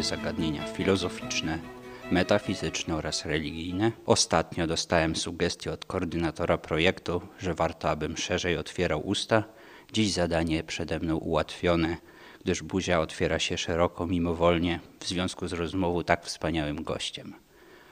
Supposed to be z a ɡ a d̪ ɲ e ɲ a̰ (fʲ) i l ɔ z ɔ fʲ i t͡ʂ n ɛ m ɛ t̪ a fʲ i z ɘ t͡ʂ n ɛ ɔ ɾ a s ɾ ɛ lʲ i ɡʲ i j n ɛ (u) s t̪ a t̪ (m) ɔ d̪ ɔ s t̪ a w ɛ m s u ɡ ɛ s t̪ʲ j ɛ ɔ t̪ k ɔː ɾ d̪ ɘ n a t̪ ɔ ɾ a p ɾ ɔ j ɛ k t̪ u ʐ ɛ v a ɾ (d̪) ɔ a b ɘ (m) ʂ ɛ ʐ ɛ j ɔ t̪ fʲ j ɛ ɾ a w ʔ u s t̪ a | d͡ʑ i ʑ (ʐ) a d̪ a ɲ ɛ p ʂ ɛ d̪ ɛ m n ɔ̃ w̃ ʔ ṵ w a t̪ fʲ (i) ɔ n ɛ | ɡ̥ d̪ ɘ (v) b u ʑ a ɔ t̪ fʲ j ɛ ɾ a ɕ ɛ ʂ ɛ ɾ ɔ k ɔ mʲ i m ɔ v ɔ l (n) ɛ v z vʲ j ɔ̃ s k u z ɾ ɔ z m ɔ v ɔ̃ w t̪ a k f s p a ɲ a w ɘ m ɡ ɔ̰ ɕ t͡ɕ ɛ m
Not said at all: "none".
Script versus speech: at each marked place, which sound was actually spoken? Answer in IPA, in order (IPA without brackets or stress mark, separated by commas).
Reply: fʲ, ɔ, ɲ, t̪, m, z, j, ʐ, ɲ